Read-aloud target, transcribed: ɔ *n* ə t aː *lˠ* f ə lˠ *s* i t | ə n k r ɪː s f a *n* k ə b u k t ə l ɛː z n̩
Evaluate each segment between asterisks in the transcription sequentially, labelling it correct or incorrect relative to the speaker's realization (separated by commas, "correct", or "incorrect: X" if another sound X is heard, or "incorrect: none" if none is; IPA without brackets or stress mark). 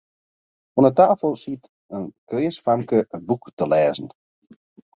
correct, incorrect: none, correct, incorrect: m